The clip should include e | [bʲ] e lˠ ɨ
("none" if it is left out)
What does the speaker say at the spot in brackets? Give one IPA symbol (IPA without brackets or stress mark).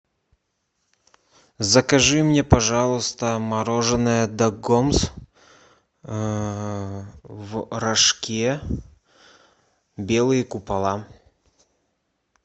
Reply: bʲ